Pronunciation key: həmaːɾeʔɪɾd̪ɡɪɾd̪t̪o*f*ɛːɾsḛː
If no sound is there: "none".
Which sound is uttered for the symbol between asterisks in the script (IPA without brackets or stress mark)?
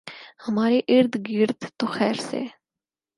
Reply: x